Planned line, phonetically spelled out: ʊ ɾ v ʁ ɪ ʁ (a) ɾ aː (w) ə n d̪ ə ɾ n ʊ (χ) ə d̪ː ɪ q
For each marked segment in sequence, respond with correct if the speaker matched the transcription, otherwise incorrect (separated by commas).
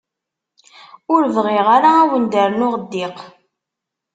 correct, correct, incorrect